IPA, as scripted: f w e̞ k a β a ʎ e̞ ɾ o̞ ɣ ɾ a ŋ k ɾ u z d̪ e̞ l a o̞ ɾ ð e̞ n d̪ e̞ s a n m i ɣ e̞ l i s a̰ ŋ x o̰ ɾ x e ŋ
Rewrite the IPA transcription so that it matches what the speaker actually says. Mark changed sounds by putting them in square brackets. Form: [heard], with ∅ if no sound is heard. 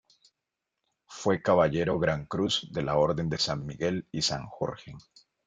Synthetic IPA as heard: f w e̞ k a β a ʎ e̞ ɾ o̞ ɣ ɾ a ŋ k ɾ u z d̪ e̞ l a o̞ ɾ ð e̞ n d̪ e̞ s a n m i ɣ e̞ l i s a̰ ŋ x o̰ ɾ x e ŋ